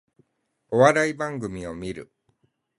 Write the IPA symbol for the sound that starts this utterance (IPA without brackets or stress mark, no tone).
o̞